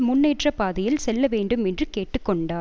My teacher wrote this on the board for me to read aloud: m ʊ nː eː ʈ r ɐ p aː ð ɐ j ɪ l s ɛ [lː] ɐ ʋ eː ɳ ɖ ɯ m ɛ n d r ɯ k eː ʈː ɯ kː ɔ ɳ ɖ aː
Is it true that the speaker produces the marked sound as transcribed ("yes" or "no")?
yes